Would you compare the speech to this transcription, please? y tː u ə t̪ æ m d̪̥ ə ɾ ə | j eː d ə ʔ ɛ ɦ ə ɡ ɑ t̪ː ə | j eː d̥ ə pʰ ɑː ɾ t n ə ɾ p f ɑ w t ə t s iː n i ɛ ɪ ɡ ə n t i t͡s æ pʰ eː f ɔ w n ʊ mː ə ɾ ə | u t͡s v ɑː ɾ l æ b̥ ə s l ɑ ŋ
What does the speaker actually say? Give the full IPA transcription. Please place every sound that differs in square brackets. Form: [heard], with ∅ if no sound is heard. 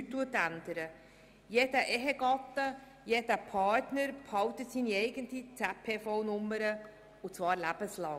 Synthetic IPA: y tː u ə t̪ æ [n] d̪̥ ə ɾ ə | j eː d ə ʔ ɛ ɦ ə ɡ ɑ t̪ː ə | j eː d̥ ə pʰ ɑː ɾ t n ə ɾ p [h] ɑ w t ə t s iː n i ɛ ɪ ɡ ə n t i t͡s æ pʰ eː f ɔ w n ʊ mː ə ɾ ə | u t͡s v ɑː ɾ l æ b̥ ə s l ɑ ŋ